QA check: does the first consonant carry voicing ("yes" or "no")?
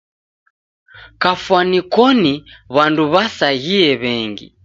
no